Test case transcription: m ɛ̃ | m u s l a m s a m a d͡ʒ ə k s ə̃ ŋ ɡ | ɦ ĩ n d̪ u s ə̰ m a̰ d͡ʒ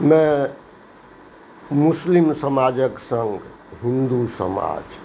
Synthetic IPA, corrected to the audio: m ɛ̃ | m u s l i m s ə m a d͡ʒ ə k s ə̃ ŋ ɡ | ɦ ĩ n d̪ u s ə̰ m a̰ d͡ʒ